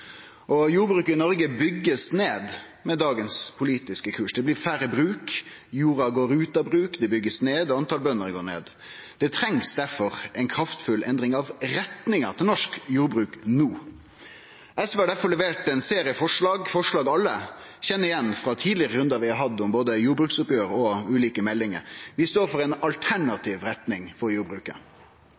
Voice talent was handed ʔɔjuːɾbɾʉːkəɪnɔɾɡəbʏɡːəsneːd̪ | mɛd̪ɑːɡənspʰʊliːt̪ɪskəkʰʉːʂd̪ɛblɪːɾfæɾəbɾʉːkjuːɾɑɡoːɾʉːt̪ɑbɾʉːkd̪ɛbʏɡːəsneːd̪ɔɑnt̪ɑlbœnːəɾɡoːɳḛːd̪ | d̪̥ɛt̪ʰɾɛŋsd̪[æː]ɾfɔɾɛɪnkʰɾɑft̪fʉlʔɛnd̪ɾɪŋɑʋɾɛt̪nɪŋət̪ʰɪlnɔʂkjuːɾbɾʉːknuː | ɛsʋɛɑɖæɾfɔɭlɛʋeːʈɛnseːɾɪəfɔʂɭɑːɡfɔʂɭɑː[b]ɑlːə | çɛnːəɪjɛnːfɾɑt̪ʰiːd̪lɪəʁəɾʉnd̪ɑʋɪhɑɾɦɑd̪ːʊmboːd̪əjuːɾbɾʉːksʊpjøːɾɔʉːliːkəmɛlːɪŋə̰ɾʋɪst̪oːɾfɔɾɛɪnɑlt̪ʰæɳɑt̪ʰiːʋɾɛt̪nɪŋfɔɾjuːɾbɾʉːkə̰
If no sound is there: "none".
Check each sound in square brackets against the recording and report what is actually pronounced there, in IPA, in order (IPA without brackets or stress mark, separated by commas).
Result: æ, ɡ